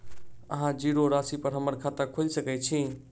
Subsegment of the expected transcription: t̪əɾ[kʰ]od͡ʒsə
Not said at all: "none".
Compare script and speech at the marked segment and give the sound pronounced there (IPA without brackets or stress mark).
kʰ